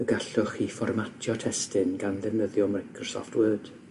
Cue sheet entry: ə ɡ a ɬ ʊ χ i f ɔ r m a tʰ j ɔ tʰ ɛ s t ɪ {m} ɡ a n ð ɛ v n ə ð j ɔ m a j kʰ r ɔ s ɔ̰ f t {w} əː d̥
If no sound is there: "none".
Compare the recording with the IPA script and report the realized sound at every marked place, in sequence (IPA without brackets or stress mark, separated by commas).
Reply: n, w